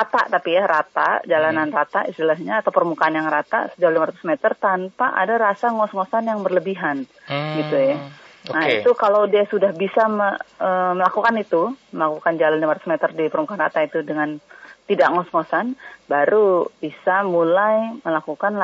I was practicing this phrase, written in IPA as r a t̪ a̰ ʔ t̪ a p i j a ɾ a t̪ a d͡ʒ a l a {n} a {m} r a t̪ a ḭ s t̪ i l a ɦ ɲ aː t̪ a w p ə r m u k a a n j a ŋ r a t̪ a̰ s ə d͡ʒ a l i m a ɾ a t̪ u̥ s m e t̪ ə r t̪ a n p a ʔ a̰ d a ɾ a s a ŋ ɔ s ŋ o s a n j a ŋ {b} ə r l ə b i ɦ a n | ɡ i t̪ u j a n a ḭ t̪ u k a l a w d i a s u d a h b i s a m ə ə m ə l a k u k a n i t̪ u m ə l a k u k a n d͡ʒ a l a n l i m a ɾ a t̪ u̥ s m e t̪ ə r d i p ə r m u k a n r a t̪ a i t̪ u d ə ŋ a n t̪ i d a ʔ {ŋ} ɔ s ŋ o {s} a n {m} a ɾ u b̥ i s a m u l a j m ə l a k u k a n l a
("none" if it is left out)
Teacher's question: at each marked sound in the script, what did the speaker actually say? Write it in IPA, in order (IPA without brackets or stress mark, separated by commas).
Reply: n, n, b, ŋ, s, b